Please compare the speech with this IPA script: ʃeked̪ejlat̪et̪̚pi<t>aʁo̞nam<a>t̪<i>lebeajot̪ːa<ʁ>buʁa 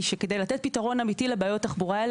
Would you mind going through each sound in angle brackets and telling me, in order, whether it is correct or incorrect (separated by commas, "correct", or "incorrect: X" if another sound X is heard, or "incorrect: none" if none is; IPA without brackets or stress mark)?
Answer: correct, incorrect: i, correct, incorrect: χ